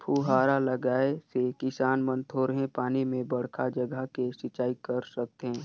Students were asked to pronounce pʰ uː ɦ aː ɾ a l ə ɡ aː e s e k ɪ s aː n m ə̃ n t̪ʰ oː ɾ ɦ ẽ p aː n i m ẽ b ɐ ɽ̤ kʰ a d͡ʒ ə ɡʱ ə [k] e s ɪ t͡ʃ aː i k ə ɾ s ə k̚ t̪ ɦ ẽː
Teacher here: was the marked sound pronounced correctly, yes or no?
yes